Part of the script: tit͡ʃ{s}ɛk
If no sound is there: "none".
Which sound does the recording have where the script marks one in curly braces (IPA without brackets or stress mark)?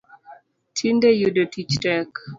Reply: t